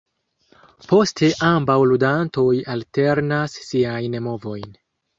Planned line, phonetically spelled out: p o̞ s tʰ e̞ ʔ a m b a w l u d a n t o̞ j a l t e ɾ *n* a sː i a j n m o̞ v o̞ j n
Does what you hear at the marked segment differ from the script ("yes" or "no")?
no